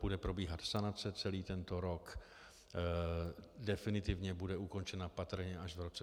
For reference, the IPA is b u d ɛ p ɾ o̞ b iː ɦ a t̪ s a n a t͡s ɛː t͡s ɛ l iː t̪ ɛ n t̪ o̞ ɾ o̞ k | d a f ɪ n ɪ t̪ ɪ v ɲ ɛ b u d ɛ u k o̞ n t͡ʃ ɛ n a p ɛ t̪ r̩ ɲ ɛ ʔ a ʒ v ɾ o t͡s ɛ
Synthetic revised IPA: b u d ɛ p ɾ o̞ b iː ɦ a t̪ s a n a t͡s ɛ t͡s ɛ l iː t̪ ɛ n t̪ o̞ ɾ o̞ k | d ɛ f ɪ n ɪ t̪ ɪ v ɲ ɛ b u d ɛ u k o̞ n t͡ʃ ɛ n a p a t̪ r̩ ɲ ɛ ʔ a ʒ v ɾ o t͡s ɛ